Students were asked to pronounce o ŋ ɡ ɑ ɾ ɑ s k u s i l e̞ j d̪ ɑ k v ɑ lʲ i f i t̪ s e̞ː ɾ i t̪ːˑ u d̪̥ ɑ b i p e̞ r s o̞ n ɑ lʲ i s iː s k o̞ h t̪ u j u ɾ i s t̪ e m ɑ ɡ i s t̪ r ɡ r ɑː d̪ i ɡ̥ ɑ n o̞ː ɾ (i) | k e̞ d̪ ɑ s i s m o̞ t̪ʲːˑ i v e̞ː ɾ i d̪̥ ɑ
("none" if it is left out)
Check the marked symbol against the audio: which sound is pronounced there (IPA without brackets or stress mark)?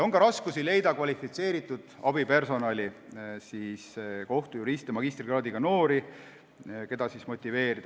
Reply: i